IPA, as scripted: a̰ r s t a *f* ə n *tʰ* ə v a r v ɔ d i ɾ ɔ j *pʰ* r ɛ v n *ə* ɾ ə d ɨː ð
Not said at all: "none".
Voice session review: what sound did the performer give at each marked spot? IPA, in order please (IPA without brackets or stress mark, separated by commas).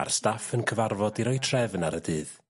f, kʰ, tʰ, a